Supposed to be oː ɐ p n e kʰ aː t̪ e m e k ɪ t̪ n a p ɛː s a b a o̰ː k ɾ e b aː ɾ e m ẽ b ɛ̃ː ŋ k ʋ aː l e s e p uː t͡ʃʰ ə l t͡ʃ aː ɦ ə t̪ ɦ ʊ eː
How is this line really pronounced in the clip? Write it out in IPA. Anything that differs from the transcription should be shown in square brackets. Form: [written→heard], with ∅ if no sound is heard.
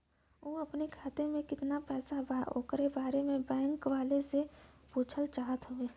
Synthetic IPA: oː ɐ p n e kʰ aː t̪ e m [e→ẽ] k ɪ t̪ n a p ɛː s a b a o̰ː k ɾ e b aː ɾ e m ẽ b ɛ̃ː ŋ k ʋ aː l e s e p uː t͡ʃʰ ə l t͡ʃ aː ɦ ə t̪ ɦ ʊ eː

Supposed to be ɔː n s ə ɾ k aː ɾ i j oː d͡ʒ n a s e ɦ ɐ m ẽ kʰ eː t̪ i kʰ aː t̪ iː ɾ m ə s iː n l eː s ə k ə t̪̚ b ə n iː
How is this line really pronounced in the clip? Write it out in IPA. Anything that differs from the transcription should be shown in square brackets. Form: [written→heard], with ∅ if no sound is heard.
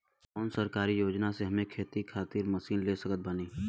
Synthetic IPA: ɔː n s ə ɾ k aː ɾ i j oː d͡ʒ n a s e ɦ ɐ m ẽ kʰ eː t̪ i kʰ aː t̪ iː ɾ m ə s iː n l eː s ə k ə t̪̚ b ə n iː

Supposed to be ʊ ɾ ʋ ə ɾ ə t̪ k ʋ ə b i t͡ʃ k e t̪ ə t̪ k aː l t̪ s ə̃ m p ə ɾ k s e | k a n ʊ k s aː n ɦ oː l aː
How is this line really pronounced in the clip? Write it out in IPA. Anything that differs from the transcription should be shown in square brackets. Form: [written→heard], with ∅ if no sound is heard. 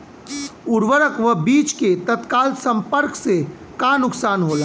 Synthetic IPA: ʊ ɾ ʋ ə ɾ ə [t̪→∅] k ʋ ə b [i→iː] t͡ʃ k e t̪ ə t̪ k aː l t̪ s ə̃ m p ə ɾ k s e | k a n ʊ k s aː n ɦ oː l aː

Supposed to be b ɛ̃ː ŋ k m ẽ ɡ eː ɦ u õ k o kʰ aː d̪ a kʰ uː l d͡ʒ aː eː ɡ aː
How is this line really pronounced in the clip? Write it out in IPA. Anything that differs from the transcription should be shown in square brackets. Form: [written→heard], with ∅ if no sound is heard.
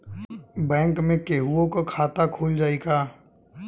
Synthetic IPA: b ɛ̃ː ŋ k m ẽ [ɡ→k] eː ɦ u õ k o kʰ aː [d̪→t̪] a kʰ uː l d͡ʒ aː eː ɡ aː

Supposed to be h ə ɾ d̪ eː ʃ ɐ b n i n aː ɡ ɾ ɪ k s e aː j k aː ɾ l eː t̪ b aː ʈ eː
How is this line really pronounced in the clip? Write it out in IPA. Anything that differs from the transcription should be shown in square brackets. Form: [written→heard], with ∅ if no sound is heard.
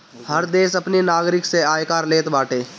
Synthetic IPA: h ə ɾ d̪ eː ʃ ɐ [b→p] n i n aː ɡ ɾ ɪ k s e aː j k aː ɾ l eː t̪ b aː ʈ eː

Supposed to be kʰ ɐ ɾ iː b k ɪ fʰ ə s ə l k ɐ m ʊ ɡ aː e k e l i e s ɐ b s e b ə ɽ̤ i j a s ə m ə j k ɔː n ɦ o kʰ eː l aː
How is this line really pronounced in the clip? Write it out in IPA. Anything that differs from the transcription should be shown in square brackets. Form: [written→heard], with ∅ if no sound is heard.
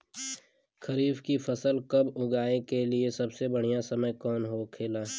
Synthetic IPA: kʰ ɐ ɾ iː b k [ɪ→i] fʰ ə s ə l k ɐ [m→b] ʊ ɡ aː e k e l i e s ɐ b s e b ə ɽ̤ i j a s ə m ə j k ɔː n ɦ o kʰ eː l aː

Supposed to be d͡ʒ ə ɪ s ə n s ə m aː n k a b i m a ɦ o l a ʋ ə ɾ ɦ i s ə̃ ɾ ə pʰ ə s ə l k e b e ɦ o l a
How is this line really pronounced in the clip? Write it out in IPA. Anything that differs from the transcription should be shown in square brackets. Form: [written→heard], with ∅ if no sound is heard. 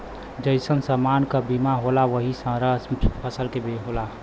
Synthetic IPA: d͡ʒ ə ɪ s ə n s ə m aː n k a b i m a ɦ o l a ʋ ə [ɾ→∅] ɦ i s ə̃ ɾ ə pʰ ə s ə l k e b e ɦ o l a

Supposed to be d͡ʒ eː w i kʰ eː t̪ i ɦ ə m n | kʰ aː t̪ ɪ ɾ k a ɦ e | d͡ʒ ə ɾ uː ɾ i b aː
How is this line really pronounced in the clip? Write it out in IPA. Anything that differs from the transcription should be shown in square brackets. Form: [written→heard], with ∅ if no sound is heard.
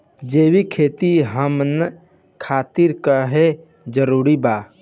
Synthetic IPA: d͡ʒ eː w i kʰ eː t̪ i ɦ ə m n | kʰ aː t̪ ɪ ɾ k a ɦ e | d͡ʒ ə ɾ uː ɾ i b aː

